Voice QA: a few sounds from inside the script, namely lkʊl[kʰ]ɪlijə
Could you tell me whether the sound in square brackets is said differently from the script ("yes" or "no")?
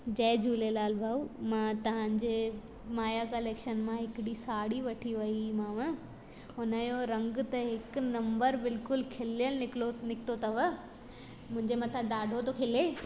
no